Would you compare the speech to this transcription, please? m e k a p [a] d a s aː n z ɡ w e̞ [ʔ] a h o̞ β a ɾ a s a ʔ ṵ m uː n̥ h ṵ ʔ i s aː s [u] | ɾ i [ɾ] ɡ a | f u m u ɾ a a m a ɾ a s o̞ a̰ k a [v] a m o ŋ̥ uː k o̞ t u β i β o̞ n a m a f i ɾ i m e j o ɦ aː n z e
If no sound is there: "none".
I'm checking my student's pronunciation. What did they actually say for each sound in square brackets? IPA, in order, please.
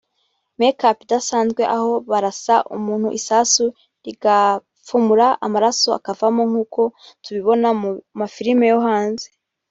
i, ʔ, u, none, v

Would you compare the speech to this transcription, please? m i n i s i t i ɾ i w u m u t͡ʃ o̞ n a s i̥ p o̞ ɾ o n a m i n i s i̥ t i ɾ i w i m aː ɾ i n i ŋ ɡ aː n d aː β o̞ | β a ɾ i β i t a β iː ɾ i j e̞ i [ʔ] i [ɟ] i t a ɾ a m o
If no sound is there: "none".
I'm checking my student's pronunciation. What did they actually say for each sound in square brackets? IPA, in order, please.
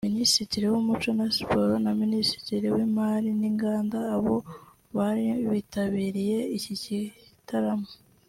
c, c

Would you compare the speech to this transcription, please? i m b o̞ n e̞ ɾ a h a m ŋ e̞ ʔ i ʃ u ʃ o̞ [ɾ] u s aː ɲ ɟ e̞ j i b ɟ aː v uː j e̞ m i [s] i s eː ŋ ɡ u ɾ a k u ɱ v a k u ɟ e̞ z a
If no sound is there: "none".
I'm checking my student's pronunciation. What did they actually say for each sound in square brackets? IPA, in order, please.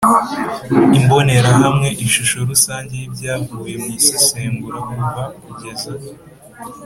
ɾ, s

